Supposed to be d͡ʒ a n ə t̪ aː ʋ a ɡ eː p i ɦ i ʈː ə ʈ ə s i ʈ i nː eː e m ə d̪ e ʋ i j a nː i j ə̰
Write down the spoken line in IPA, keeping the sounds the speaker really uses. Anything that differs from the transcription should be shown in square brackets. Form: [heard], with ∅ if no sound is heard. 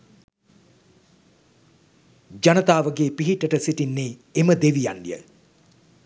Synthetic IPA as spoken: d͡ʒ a n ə t̪ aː ʋ [ə] ɡ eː p i ɦ i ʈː ə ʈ ə s i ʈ i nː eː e m ə d̪ e ʋ i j a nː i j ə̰